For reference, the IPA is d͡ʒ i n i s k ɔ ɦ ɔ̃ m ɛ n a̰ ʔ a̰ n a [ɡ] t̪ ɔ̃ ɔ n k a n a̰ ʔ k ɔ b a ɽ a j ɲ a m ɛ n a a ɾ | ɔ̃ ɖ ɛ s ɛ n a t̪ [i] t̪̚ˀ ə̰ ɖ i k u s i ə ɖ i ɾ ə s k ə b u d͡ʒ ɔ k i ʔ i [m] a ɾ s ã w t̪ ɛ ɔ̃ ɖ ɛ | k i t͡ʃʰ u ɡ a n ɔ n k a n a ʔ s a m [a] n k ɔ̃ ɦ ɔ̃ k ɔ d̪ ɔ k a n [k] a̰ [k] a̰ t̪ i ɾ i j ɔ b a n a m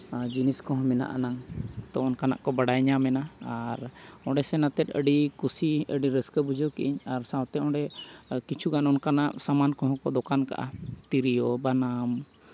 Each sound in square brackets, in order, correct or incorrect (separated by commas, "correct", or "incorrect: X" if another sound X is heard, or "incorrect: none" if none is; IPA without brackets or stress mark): incorrect: ŋ, incorrect: ɛ, incorrect: ɲ, correct, correct, incorrect: ʔ